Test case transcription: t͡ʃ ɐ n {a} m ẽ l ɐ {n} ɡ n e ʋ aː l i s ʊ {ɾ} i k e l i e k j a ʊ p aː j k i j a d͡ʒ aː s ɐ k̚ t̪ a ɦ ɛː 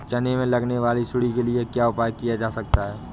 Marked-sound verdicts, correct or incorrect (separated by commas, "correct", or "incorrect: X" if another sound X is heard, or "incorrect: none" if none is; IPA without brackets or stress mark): incorrect: e, incorrect: none, incorrect: ɽ